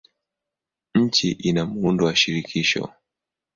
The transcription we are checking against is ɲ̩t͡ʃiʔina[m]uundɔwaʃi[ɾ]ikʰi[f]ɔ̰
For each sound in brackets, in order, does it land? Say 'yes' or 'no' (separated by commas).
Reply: yes, yes, no